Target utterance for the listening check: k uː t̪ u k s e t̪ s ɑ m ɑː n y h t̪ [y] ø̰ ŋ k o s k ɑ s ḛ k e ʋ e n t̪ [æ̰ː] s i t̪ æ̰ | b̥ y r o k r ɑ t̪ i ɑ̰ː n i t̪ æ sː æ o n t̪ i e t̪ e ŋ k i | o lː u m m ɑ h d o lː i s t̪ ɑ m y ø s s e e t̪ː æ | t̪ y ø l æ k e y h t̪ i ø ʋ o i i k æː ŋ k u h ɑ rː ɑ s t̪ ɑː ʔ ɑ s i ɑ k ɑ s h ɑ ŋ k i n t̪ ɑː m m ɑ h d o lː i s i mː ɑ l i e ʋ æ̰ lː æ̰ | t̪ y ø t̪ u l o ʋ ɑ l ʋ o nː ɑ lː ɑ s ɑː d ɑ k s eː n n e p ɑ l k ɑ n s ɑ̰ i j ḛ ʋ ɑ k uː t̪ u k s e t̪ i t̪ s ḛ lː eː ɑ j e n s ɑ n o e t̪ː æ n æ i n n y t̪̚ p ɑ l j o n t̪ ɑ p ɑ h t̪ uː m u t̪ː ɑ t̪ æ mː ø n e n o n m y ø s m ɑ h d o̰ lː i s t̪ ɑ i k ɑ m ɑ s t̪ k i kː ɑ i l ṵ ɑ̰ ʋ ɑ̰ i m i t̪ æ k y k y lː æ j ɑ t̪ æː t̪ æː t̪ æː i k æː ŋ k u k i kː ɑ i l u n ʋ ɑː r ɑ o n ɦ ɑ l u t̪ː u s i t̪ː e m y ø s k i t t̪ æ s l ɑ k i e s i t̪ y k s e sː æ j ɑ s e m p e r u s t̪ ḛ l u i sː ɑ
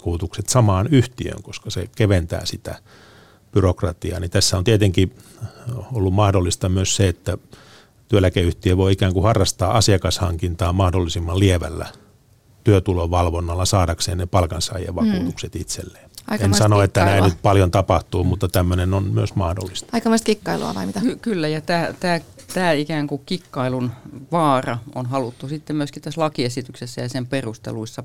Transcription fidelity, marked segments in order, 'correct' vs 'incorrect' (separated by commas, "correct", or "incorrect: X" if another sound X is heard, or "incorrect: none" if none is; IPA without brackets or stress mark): incorrect: i, correct